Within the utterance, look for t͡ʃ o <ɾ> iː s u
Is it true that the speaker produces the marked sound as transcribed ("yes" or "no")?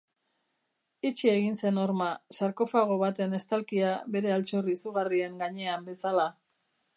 no